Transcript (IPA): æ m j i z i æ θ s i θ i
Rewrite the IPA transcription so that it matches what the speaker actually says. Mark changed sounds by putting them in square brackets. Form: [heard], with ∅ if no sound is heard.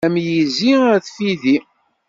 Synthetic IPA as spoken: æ m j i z i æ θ [f] i [ð] i